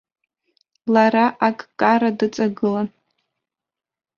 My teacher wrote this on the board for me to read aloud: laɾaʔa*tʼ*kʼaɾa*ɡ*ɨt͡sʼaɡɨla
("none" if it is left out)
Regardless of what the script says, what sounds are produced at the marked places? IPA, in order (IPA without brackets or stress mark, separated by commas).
kʼ, d